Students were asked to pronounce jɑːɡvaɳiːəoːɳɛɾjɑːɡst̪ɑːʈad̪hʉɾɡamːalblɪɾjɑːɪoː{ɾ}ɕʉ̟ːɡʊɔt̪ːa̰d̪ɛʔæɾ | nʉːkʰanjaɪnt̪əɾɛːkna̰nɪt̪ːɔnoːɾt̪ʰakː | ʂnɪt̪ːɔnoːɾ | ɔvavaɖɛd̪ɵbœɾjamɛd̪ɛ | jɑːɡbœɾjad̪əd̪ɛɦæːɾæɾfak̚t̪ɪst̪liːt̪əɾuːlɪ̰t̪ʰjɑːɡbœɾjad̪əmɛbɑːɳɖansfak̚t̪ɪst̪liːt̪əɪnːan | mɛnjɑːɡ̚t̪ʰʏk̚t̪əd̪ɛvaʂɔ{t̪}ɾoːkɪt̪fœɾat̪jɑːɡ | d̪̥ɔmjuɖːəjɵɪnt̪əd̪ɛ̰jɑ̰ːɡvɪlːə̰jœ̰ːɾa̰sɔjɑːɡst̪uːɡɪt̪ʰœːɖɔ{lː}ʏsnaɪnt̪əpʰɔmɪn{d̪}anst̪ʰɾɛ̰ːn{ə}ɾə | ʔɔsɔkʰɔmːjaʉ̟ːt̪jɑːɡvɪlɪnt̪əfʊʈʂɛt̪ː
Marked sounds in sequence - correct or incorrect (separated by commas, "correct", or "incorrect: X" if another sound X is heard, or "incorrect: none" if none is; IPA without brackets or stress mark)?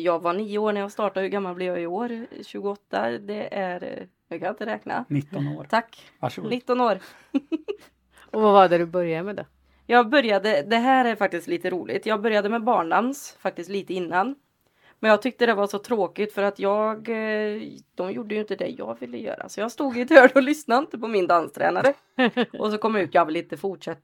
correct, incorrect: t̪ʰ, incorrect: l, correct, incorrect: a